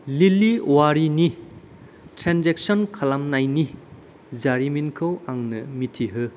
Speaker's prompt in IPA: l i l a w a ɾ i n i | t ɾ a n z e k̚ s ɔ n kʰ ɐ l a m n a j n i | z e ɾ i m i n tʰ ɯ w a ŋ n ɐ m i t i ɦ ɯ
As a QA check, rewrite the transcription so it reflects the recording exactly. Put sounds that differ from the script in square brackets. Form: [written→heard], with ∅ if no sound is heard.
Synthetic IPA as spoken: l i l [a→i] w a ɾ i n i | t ɾ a n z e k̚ s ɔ n kʰ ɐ l a m n a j n i | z [e→a] ɾ i m i n [tʰ→kʰ] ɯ w a ŋ n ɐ m i [t→tʰ] i ɦ ɯ